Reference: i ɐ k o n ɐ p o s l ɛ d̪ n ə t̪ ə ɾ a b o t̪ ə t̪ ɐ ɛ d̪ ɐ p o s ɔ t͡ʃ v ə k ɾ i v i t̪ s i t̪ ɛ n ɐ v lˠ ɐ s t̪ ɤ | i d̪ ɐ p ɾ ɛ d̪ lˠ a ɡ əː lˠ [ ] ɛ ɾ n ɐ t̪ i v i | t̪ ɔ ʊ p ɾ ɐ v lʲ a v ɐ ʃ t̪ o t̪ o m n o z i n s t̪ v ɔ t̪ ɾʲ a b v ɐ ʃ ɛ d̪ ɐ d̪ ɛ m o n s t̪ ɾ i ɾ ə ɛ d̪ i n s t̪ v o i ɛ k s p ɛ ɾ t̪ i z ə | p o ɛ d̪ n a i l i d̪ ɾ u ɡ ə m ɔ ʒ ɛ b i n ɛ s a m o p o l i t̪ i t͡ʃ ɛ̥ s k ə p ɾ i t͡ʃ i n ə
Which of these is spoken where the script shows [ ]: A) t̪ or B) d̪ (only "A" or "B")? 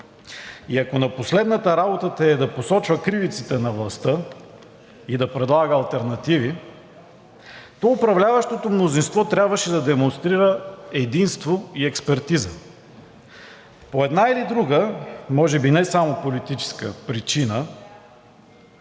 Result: A